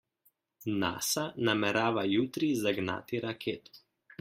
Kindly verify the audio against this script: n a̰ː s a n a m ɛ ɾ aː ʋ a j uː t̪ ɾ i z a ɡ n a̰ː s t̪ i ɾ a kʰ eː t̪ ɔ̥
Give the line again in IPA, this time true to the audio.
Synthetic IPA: n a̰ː s a n a m ɛ ɾ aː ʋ a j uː t̪ ɾ i z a ɡ n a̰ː t̪ i ɾ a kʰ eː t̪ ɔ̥